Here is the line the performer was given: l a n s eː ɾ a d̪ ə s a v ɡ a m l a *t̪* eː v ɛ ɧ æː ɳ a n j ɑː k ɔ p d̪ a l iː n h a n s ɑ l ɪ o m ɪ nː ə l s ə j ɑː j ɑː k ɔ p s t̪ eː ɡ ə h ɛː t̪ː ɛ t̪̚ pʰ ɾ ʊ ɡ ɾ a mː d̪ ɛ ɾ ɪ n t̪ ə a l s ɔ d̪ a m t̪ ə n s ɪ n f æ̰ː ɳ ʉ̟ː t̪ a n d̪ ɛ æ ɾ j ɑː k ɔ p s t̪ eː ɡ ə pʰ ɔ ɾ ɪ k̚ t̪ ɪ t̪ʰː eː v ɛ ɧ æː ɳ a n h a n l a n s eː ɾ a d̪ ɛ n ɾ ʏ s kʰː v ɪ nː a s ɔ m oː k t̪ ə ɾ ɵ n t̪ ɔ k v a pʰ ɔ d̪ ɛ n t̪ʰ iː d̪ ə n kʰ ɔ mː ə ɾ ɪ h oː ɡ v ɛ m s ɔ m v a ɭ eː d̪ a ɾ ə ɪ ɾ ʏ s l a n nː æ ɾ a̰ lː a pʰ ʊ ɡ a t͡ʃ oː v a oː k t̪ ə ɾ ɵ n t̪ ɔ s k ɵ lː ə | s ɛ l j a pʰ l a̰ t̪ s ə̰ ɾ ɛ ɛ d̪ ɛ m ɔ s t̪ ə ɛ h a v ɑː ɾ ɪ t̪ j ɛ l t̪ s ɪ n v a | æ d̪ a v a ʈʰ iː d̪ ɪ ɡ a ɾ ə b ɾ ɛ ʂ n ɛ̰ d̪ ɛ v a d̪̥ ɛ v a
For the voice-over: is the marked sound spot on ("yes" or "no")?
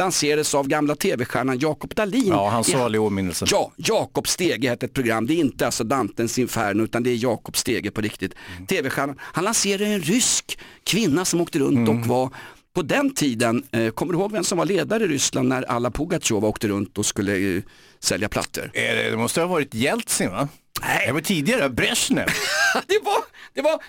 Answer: no